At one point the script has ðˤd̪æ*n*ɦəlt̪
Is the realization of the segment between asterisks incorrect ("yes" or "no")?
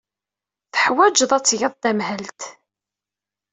yes